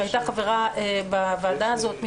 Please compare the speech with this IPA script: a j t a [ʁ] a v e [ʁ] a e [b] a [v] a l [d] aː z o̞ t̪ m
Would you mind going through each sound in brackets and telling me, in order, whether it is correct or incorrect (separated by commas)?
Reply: incorrect, correct, correct, correct, correct